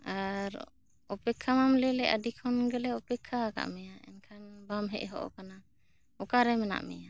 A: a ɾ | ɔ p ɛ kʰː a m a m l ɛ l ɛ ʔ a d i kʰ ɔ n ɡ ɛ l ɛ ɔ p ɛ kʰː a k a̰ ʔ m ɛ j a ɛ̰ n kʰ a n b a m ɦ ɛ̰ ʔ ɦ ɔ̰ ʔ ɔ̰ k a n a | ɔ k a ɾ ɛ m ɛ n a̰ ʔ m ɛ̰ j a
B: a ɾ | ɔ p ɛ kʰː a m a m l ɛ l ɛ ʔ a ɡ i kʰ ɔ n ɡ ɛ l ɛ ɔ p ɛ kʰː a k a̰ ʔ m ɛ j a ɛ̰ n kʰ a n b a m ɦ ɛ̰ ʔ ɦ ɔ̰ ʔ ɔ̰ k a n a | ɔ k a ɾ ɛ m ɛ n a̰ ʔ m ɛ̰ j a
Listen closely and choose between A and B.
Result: A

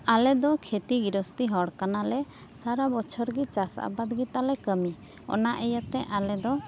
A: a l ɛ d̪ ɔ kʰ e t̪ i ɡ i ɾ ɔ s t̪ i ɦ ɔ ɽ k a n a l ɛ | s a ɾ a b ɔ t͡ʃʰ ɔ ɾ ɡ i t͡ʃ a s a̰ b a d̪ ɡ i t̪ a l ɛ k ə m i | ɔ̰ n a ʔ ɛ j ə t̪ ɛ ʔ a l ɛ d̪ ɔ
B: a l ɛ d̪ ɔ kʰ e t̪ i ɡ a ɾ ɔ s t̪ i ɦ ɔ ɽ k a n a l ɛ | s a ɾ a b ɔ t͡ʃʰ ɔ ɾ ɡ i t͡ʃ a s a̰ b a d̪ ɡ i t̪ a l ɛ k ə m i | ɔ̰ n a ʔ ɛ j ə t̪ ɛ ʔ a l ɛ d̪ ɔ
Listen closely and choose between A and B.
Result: A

